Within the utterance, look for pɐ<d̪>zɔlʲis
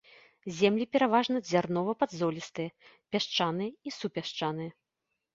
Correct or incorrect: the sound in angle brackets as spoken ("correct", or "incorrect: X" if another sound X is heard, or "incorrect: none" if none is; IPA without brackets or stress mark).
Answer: correct